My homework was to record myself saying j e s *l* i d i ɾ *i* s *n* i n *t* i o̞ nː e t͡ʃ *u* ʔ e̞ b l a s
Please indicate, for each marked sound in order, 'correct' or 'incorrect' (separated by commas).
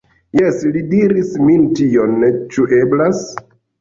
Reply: correct, correct, incorrect, correct, correct